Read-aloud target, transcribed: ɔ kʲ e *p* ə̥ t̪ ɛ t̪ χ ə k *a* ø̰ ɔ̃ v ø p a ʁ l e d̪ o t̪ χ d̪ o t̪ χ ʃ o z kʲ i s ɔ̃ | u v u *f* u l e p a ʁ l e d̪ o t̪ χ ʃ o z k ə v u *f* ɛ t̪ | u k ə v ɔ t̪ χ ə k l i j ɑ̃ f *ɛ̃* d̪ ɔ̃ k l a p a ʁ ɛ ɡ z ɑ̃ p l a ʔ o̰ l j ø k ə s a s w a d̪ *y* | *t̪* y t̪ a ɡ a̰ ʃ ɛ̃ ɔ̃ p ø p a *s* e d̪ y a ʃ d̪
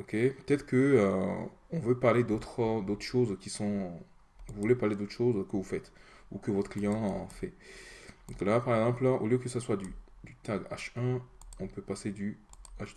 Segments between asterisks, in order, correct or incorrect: correct, incorrect: ə, incorrect: v, correct, incorrect: ɛ, correct, incorrect: d̪, correct

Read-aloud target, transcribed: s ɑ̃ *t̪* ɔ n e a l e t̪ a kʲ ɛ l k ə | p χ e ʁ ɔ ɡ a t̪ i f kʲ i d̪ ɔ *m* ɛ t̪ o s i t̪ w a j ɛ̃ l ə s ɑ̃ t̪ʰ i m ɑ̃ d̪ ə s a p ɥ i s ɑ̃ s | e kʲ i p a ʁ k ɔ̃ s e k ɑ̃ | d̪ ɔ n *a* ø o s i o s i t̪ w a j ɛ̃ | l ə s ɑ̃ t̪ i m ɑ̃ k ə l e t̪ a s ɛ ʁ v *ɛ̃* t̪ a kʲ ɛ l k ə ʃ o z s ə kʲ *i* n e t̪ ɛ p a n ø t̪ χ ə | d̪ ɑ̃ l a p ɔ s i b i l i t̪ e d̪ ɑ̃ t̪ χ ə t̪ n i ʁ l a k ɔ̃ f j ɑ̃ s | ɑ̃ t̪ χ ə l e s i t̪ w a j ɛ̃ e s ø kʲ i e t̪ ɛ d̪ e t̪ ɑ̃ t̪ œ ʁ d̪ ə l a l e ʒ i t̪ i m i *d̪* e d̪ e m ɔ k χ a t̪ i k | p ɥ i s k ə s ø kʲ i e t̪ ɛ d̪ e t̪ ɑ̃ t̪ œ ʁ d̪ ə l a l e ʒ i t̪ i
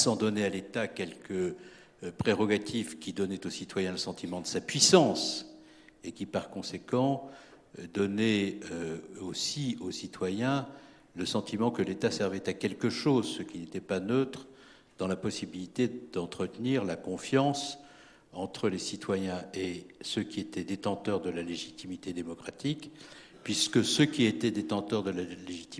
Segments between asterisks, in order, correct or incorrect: incorrect: d̪, incorrect: n, incorrect: ɛ, incorrect: ɛ, correct, incorrect: t̪

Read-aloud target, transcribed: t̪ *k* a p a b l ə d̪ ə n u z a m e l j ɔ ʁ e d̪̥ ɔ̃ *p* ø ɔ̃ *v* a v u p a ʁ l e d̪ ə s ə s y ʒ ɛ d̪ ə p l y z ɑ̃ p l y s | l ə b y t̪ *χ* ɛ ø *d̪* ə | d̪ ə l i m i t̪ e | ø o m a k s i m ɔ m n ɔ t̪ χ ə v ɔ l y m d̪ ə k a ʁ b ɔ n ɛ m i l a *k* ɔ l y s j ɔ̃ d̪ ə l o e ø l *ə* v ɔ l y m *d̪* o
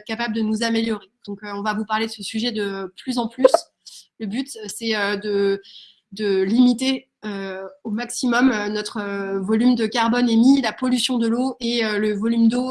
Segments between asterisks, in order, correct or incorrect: correct, incorrect: k, correct, incorrect: s, correct, incorrect: p, correct, correct

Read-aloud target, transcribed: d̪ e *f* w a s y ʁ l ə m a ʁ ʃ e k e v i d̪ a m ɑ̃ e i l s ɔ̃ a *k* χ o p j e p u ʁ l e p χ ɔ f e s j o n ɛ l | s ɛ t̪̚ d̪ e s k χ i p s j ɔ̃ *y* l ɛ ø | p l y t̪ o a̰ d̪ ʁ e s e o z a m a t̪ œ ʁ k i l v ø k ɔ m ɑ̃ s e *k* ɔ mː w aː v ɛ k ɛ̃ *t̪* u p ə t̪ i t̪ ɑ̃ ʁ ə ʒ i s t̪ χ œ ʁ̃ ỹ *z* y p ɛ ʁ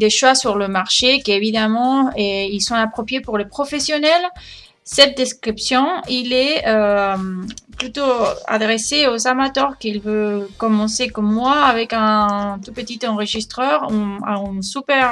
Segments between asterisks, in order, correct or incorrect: incorrect: ʃ, incorrect: p, incorrect: i, correct, correct, incorrect: s

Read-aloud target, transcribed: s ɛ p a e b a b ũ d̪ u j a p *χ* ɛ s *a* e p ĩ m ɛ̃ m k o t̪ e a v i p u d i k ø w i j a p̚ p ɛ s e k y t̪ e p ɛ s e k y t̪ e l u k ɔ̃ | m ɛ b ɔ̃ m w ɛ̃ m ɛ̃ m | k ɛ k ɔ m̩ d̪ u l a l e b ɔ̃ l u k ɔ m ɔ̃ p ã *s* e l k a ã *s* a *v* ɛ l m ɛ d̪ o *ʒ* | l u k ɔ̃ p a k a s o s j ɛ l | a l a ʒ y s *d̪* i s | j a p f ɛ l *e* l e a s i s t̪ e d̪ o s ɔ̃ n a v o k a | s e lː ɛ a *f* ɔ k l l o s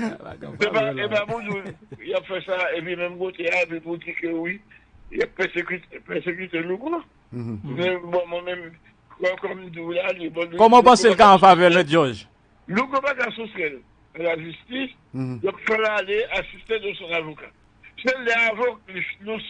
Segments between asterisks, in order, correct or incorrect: incorrect: f, correct, correct, incorrect: f, correct, correct, incorrect: t̪, incorrect: a, incorrect: v

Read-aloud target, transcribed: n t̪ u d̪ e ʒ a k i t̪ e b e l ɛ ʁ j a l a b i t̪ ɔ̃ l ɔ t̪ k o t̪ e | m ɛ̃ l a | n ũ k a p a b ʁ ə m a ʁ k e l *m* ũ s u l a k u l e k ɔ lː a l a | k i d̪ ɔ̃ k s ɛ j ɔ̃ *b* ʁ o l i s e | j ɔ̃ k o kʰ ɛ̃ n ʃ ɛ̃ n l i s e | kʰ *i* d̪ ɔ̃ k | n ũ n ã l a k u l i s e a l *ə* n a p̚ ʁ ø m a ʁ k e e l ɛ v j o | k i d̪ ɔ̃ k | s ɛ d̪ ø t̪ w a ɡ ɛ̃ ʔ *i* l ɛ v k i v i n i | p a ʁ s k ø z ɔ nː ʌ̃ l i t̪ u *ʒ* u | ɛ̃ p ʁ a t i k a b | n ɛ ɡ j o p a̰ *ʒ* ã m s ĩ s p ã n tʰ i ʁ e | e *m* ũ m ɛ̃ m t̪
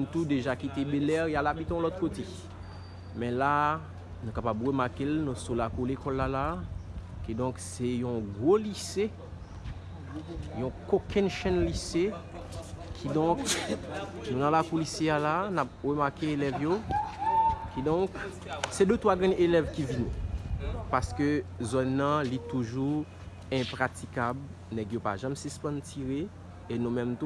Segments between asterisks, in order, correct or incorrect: incorrect: n, incorrect: ɡ, correct, incorrect: a, incorrect: e, correct, correct, incorrect: n

